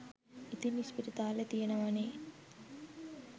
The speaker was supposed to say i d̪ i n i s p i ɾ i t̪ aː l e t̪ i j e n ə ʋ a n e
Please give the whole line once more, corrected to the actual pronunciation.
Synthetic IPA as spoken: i t̪ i n i s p i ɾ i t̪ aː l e t̪ i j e n ə ʋ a n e